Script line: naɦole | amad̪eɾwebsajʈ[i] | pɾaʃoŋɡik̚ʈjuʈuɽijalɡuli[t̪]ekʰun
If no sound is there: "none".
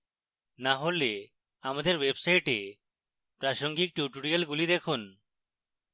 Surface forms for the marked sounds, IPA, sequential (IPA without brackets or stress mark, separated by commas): e, d̪